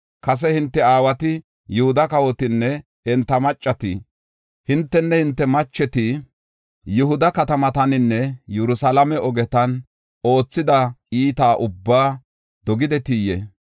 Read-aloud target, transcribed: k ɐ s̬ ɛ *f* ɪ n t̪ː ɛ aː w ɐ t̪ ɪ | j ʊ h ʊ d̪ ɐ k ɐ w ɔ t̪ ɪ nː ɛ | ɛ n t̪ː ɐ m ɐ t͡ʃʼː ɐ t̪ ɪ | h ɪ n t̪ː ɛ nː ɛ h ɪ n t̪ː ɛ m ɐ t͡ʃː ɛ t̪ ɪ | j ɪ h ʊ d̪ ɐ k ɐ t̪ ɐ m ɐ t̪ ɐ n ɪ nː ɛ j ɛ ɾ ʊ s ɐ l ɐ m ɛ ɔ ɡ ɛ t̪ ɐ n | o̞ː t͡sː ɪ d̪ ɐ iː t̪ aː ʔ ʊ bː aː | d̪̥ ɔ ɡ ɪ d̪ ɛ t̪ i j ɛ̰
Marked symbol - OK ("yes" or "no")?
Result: no